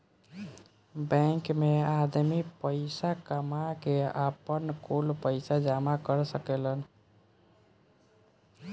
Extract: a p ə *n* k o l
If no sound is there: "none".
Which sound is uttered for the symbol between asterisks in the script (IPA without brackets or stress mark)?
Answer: n